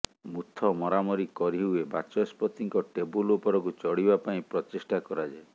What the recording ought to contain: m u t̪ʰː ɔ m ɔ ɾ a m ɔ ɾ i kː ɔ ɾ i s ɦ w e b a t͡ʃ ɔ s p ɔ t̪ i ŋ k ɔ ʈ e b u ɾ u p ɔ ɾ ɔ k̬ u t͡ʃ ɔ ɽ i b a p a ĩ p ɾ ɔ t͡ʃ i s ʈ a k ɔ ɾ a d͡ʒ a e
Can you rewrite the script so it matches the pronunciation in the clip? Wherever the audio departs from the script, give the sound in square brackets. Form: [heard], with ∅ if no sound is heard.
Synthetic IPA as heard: m u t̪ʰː ɔ m ɔ ɾ a m ɔ ɾ i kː ɔ ɾ i [∅] ɦ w e b a t͡ʃ ɔ s p ɔ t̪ i ŋ k ɔ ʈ e b u [l] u p ɔ ɾ ɔ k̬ u t͡ʃ ɔ ɽ i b a p a ĩ p ɾ ɔ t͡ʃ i s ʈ a k ɔ ɾ a d͡ʒ a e